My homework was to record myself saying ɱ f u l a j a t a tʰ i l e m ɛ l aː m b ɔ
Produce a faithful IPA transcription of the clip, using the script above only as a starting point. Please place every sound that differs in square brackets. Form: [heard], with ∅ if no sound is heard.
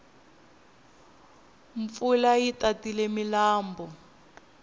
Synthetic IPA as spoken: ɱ f u l a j [i] t a [t] i l e m [i] l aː m b ɔ